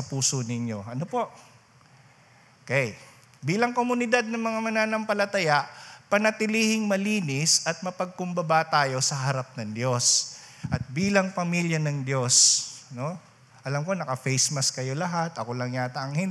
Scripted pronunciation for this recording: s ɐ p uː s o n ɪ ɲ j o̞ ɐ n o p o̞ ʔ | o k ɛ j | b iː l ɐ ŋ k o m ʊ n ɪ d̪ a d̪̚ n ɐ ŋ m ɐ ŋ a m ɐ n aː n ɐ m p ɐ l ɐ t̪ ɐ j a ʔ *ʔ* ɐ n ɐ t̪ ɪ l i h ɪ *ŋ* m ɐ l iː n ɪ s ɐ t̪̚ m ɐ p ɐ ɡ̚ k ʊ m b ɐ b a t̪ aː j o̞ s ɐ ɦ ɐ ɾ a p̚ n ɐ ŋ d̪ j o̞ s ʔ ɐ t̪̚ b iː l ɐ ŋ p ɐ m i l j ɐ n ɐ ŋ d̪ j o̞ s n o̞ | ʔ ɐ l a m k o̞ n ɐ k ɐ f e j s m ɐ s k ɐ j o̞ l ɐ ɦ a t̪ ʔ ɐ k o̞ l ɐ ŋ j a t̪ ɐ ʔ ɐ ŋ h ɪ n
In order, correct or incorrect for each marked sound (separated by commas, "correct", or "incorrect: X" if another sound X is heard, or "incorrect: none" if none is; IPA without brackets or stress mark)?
incorrect: p, correct